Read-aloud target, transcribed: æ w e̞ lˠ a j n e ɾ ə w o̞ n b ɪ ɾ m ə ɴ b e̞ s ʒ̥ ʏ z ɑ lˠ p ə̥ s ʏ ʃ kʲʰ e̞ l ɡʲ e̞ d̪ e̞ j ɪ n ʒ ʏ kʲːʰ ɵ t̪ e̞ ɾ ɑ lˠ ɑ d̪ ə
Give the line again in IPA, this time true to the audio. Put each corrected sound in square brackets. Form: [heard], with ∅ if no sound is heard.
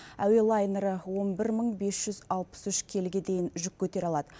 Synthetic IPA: æ w e̞ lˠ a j n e ɾ ə w o̞ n b ɪ ɾ m ə ɴ b e̞ s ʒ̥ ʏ z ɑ lˠ p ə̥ s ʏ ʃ kʲʰ e̞ l ɡʲ e̞ d̪ e̞ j ɪ n ʒ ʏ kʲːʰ ɵ t̪ e̞ ɾ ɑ lˠ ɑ d̪ ə